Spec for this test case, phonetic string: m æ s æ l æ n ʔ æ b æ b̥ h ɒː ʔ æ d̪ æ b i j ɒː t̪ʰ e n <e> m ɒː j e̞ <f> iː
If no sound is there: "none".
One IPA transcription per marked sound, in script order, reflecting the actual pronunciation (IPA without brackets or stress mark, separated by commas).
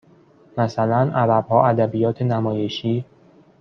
æ, ʃ